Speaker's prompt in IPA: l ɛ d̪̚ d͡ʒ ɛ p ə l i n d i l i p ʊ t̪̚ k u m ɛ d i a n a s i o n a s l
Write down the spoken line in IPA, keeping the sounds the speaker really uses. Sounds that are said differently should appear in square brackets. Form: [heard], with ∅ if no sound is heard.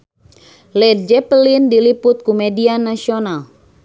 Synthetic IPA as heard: l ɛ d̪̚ d͡ʒ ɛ p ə l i n d i l i p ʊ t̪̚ k u m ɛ d i a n a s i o n a [∅] l